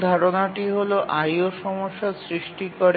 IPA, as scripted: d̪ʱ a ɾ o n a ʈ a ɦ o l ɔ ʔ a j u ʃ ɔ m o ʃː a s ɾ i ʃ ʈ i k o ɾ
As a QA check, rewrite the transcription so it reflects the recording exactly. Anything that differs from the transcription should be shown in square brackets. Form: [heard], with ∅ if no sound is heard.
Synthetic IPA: d̪ʱ a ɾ o n a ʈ [i] ɦ o l [o] ʔ a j [o] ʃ ɔ m o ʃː a s ɾ i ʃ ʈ i k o ɾ